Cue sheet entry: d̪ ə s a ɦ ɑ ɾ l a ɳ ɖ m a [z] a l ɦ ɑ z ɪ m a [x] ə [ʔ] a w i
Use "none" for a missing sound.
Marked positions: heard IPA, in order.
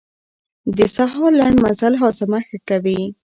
z, x, k

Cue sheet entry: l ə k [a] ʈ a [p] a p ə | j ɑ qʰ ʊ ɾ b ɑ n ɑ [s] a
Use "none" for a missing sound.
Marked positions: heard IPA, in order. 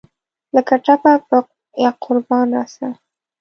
a, p, s

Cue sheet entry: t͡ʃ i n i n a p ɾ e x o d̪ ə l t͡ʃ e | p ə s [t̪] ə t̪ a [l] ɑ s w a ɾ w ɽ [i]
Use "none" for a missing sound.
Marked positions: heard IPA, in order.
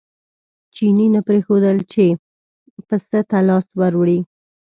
t̪, l, i

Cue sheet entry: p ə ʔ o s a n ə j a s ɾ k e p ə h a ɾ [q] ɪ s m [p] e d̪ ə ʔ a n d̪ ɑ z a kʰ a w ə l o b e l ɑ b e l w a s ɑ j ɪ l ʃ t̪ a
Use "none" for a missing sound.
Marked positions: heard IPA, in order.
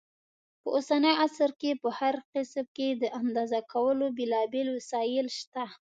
q, k

